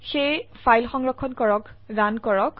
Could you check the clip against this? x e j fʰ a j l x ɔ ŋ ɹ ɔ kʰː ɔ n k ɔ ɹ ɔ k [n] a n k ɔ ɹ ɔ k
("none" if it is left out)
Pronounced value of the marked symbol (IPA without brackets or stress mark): d